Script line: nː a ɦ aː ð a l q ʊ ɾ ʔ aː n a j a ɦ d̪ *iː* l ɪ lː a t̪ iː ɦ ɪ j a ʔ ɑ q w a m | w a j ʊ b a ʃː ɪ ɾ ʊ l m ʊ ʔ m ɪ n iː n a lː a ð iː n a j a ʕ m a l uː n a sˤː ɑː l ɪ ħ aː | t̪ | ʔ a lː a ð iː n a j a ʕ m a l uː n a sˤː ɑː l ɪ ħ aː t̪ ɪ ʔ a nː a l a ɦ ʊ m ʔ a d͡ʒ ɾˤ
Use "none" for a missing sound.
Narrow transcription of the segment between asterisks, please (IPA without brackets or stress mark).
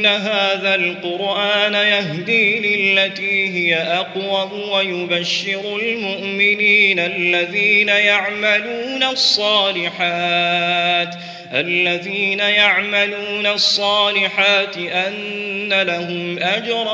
iː